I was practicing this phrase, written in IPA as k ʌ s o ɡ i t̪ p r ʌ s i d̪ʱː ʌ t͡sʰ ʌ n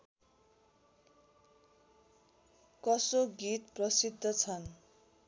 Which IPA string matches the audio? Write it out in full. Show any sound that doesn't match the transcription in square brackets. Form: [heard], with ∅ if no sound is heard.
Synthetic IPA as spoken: k ʌ s o ɡ i t̪ p r ʌ s i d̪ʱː ʌ t͡sʰ ʌ n